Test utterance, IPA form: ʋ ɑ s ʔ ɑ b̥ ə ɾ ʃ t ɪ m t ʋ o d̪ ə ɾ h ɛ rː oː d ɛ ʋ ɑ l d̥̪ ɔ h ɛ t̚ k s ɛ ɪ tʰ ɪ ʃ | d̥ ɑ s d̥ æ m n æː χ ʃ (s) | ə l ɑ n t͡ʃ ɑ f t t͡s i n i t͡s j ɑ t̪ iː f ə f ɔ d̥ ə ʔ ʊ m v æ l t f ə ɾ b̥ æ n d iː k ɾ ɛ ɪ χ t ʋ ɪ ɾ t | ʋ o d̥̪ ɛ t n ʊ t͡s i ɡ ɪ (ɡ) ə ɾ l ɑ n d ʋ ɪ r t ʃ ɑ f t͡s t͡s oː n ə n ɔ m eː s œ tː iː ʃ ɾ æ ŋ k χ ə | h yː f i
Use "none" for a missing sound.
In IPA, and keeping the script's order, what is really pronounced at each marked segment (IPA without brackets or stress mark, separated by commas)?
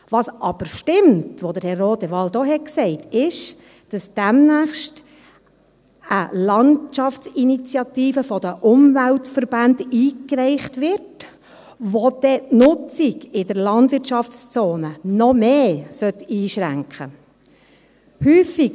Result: t, d